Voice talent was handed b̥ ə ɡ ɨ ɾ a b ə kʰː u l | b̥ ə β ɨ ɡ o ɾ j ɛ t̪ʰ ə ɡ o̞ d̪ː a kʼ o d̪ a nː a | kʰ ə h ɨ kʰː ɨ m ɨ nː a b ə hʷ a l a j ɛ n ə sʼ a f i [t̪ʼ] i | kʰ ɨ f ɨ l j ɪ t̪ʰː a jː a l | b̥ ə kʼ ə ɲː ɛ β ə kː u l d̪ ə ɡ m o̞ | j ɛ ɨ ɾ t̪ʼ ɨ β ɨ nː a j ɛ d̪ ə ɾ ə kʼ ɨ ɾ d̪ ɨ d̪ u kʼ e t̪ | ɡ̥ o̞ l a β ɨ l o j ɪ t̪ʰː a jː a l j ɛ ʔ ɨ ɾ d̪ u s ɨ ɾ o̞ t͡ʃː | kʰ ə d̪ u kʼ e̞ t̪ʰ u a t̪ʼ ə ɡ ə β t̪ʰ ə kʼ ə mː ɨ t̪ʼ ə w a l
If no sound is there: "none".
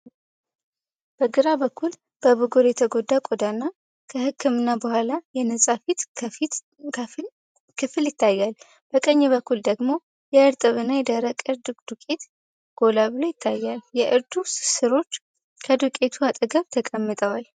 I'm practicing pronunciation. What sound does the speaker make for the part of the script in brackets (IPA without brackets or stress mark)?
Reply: t̪